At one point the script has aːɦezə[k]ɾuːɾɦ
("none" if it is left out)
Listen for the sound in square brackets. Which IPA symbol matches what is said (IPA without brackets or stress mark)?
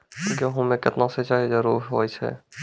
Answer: none